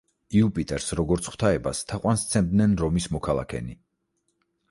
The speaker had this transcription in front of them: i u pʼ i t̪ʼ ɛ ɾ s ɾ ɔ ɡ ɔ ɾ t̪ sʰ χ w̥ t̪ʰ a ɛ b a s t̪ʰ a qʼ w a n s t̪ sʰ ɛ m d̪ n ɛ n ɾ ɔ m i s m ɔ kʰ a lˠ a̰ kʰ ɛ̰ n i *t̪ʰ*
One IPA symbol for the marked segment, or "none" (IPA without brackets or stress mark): none